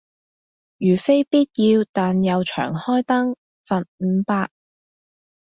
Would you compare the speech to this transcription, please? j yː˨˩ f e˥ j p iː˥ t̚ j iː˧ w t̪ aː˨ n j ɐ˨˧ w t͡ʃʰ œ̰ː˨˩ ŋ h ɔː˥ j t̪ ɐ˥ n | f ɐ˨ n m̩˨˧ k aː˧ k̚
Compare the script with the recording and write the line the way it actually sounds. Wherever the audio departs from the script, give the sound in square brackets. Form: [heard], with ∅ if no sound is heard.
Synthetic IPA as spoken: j yː˨˩ f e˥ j p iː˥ t̚ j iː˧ w t̪ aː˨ n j ɐ˨˧ w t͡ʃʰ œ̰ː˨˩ ŋ h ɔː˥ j t̪ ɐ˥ [ŋ] | f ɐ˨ n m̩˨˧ [p] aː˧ k̚